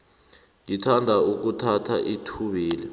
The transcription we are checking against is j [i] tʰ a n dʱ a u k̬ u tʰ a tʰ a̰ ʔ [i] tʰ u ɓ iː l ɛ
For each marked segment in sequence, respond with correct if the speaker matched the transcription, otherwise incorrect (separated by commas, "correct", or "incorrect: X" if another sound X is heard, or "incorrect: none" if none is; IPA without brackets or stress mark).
correct, correct